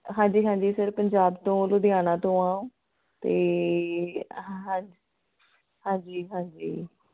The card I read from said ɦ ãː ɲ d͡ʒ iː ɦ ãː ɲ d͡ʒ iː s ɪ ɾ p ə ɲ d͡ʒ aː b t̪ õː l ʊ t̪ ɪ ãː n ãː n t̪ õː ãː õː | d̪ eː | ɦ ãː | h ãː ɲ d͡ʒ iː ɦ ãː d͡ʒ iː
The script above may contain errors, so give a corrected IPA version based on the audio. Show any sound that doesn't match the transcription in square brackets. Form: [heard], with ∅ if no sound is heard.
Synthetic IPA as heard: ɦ ãː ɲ d͡ʒ iː ɦ ãː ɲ d͡ʒ iː s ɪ ɾ p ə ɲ d͡ʒ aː b t̪ õː l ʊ [d̪] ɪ [aː] n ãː [∅] t̪ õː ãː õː | [t̪] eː | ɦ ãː | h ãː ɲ d͡ʒ iː ɦ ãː d͡ʒ iː